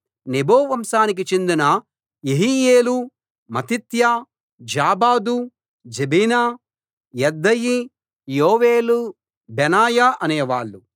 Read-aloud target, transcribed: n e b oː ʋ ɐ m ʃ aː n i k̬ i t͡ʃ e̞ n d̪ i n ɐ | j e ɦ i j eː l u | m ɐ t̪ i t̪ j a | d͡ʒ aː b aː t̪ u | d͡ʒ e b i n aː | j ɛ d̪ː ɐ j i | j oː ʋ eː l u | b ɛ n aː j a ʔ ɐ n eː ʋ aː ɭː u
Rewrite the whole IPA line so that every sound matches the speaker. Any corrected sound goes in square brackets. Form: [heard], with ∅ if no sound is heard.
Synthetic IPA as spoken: n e b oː ʋ ɐ m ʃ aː n i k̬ i t͡ʃ e̞ n d̪ i n ɐ | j e ɦ i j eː l u | m ɐ t̪ i t̪ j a | d͡ʒ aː b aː [d̪] u | d͡ʒ e b i n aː | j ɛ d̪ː ɐ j i | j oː ʋ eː l u | b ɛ n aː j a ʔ ɐ n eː ʋ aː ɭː u

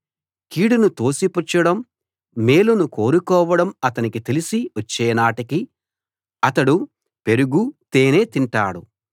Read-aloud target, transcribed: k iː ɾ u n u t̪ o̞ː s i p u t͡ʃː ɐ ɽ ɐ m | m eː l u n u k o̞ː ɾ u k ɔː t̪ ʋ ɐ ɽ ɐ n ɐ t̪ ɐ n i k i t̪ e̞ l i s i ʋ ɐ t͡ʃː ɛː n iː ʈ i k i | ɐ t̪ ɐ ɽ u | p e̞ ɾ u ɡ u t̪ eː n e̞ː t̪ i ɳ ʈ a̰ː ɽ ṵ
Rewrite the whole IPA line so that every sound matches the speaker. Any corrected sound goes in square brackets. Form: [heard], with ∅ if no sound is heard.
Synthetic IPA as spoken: k iː [ɽ] u n u t̪ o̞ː s i p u t͡ʃː ɐ ɽ ɐ m | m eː l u n u k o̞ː ɾ u k ɔː [∅] ʋ ɐ ɽ ɐ [m] ɐ t̪ ɐ n i k i t̪ e̞ l i s i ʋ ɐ t͡ʃː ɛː n [aː] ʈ i k i | ɐ t̪ ɐ ɽ u | p e̞ ɾ u ɡ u t̪ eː n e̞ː t̪ i ɳ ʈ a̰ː ɽ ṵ

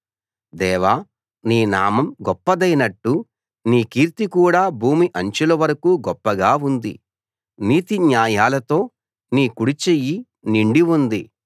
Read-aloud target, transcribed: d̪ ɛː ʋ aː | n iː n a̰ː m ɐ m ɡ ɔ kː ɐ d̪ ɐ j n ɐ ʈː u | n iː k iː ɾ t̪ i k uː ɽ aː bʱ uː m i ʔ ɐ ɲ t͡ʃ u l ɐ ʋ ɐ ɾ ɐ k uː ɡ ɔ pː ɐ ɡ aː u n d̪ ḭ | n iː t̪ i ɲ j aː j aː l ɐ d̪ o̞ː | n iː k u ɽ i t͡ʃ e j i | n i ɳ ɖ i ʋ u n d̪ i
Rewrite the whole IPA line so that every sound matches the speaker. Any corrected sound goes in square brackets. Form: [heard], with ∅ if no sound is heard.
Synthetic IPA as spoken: d̪ ɛː ʋ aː | n iː n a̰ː m ɐ m ɡ ɔ [pː] ɐ d̪ ɐ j n ɐ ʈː u | n iː k iː ɾ t̪ i k uː ɽ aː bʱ uː m i ʔ ɐ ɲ t͡ʃ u l ɐ ʋ ɐ ɾ ɐ k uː ɡ ɔ pː ɐ ɡ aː u n d̪ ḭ | n iː t̪ i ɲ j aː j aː l ɐ [t̪] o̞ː | n iː k u ɽ i t͡ʃ e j i | n i ɳ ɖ i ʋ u n d̪ i

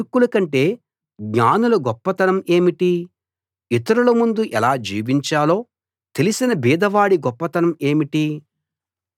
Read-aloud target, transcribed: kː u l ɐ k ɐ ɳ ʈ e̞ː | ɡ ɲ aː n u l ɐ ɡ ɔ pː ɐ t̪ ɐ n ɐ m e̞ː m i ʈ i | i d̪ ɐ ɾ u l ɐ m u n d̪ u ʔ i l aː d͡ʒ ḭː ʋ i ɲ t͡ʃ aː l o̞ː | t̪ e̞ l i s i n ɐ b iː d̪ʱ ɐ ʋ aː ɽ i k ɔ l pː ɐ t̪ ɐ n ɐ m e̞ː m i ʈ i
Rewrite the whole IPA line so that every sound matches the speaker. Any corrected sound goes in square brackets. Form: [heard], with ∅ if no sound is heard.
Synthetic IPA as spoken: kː u l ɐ k ɐ ɳ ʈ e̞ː | ɡ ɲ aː n u l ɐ ɡ ɔ pː ɐ t̪ ɐ n ɐ m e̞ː m i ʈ i | i [t̪] ɐ ɾ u l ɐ m u n d̪ u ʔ [ɛ] l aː d͡ʒ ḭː ʋ i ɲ t͡ʃ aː l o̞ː | t̪ e̞ l i s i n ɐ b iː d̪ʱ ɐ ʋ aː ɽ i [ɡ] ɔ [∅] pː ɐ t̪ ɐ n ɐ m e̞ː m i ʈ i

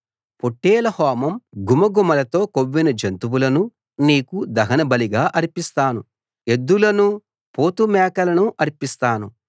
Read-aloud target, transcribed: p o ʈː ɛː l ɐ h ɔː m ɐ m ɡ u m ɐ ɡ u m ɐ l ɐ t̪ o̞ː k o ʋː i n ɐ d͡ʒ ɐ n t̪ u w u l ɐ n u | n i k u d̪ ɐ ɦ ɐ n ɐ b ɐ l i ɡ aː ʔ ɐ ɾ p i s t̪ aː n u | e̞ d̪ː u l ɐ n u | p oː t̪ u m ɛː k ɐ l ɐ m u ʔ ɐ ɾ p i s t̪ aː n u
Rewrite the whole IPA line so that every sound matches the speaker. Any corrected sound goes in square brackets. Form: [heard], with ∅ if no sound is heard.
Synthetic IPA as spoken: p o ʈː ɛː l ɐ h ɔː m ɐ m ɡ u m ɐ ɡ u m ɐ l ɐ t̪ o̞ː k o ʋː i n ɐ d͡ʒ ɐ n t̪ u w u l ɐ n u | n [iː] k u d̪ ɐ ɦ ɐ n ɐ b ɐ l i ɡ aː ʔ ɐ ɾ p i s t̪ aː n u | e̞ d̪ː u l ɐ n u | p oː t̪ u m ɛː k ɐ l ɐ [n] u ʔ ɐ ɾ p i s t̪ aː n u

